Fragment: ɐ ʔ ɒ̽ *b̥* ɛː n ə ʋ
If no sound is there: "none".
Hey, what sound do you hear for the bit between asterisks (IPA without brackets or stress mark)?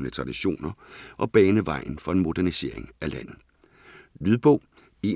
b̥